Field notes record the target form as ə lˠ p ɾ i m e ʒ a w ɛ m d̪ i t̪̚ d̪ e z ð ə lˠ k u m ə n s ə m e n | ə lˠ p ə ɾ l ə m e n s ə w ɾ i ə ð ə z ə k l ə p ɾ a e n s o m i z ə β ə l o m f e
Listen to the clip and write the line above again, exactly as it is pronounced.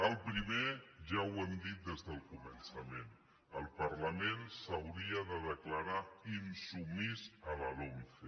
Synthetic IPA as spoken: ə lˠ p ɾ i m e ʒ a w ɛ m d̪ i t̪̚ d̪ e z ð ə lˠ k u m ə n s ə m e n | ə lˠ p ə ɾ l ə m e n s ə w ɾ i ə ð ə ð ə k l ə ɾ a i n s u m i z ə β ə l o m f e